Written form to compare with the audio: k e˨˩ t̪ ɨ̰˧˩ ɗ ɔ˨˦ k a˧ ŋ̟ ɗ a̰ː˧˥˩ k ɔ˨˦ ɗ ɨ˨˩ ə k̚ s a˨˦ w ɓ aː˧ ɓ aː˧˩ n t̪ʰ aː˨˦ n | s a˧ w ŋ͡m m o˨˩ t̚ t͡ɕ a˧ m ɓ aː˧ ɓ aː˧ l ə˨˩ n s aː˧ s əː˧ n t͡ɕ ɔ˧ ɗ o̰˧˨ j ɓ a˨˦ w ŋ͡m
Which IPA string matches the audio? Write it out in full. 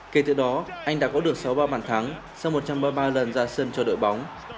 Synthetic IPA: k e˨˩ t̪ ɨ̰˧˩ ɗ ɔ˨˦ ʔ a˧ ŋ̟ ɗ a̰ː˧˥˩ k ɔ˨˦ ɗ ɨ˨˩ ə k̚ s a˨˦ w ɓ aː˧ ɓ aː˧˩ n t̪ʰ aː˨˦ ŋ | s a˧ w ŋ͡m m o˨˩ t̚ t͡ɕ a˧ m ɓ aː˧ ɓ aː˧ l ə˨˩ n z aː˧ s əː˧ n t͡ɕ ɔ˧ ɗ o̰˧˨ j ɓ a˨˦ w ŋ͡m

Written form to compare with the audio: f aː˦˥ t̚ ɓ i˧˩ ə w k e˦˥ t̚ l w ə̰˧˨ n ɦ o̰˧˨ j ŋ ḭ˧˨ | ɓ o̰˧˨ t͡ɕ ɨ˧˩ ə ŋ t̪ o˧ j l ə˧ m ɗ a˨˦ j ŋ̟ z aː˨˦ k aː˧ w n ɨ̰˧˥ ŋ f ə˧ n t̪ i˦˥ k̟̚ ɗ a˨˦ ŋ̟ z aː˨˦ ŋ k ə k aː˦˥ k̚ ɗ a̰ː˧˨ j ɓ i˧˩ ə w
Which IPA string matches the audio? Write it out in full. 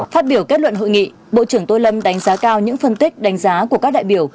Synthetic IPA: f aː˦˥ t̚ ɓ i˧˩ ə w k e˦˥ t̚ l w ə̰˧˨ n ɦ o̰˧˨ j ŋ ḭ˧˨ | ɓ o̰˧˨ t͡ɕ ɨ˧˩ ə ŋ t̪ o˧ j l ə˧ m ɗ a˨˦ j ŋ̟ z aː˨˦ k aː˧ w ɲ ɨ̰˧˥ ŋ f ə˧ n t̪ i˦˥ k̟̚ ɗ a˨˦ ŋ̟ z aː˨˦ k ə k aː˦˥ k̚ ɗ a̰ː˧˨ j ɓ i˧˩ ə w

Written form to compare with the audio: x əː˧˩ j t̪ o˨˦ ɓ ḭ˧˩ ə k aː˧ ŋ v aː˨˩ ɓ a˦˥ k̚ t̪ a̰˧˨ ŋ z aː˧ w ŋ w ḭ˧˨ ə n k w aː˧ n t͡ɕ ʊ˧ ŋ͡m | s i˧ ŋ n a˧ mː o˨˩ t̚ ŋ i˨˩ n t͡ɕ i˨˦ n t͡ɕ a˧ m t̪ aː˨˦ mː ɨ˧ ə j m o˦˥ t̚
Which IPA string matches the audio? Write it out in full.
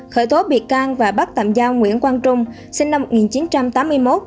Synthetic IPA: x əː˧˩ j t̪ o˨˦ ɓ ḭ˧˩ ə k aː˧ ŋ v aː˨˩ ɓ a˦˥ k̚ t̪ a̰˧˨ m z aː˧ w ŋ w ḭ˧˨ ə n k w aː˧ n t͡ɕ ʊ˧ ŋ͡m | s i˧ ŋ n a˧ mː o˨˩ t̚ ŋ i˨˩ n t͡ɕ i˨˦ n t͡ɕ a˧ m t̪ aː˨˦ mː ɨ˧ ə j m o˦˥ t̚

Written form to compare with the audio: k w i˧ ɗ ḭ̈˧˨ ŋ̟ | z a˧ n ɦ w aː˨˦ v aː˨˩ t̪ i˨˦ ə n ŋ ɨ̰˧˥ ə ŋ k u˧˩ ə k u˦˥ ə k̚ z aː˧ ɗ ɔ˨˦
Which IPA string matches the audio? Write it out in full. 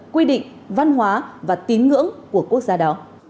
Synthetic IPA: k w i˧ ɗ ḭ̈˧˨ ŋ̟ | v a˧ n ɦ w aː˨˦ v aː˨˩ t̪ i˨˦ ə n ŋ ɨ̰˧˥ ə ŋ k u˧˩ ə k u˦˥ ə k̚ z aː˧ ɗ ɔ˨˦

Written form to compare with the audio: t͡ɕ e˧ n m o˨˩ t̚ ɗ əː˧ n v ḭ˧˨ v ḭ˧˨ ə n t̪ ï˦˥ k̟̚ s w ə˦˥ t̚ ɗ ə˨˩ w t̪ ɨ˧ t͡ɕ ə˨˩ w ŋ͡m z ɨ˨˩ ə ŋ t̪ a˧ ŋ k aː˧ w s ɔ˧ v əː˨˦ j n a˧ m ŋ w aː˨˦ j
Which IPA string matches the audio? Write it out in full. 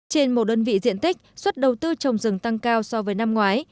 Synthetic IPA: t͡ɕ e˧ n m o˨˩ t̚ ɗ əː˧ n v ḭ˧˨ z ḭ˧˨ ə n t̪ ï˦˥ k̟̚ s w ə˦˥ t̚ ɗ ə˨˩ w t̪ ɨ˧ t͡ɕ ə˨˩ w ŋ͡m z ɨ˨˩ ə ŋ t̪ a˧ ŋ k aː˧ w s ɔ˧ v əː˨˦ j n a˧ m ŋ w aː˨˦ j

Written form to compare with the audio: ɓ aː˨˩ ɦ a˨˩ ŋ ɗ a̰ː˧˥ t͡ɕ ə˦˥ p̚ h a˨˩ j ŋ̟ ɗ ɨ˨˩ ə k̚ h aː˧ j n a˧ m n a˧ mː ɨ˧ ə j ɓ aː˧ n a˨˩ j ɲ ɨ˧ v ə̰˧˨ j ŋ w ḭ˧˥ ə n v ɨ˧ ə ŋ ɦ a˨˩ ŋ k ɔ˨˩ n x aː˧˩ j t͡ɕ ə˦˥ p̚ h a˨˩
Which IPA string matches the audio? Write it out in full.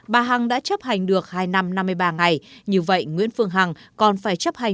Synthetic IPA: ɓ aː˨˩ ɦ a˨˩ ŋ ɗ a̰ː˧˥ t͡ɕ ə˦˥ p̚ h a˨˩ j ŋ̟ ɗ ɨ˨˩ ə k̚ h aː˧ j n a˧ m n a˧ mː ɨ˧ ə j ɓ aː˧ ŋ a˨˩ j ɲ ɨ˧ v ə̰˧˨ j ŋ w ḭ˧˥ ə n f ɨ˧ ə ŋ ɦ a˨˩ ŋ k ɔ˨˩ n f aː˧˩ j t͡ɕ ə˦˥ p̚ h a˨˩

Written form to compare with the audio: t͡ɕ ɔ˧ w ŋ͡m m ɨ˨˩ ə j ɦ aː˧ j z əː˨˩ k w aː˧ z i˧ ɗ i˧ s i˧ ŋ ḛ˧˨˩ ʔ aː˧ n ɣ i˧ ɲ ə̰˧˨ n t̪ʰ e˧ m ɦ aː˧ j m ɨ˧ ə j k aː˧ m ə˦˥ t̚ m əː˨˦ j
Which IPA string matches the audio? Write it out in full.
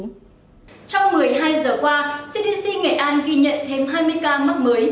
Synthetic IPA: t͡ɕ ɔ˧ w ŋ͡m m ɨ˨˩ ə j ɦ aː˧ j z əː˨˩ k w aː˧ s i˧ ɗ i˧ s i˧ ŋ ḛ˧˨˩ ʔ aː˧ n ɣ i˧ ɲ ə̰˧˨ n t̪ʰ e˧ m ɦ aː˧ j m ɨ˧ ə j k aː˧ m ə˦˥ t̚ m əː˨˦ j

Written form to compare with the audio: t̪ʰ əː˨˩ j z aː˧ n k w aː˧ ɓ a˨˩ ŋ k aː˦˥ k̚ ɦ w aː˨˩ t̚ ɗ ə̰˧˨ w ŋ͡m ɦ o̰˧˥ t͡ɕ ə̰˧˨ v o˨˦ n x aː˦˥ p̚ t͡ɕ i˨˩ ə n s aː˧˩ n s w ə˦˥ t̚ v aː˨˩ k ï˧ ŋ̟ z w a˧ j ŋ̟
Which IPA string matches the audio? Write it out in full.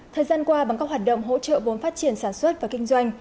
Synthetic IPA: t̪ʰ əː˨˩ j z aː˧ n k w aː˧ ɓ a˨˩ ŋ k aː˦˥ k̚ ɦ w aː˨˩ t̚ ɗ ə̰˧˨ w ŋ͡m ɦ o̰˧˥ t͡ɕ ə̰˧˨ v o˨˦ n f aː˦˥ t̚ t͡ɕ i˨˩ ə n s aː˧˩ n s w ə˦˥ t̚ v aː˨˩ k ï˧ ŋ̟ z w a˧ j ŋ̟

